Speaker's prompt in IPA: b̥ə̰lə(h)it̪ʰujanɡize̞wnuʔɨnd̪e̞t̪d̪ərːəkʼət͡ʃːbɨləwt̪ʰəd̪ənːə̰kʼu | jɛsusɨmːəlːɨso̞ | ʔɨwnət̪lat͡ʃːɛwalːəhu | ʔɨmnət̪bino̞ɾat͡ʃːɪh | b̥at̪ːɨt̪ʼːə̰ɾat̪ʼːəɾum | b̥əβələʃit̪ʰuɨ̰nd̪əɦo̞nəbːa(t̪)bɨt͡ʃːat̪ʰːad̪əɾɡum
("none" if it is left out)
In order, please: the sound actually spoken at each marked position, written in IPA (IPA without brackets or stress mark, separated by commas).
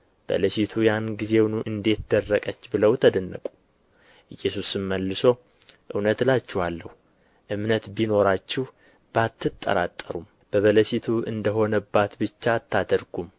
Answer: ʃ, t̪